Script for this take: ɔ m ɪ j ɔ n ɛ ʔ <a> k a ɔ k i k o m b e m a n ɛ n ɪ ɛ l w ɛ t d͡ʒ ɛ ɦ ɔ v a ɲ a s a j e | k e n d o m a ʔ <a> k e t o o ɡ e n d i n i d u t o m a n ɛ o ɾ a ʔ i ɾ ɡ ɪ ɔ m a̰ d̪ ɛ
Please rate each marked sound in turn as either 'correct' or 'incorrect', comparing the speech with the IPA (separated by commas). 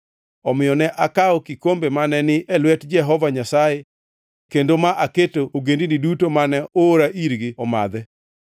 correct, correct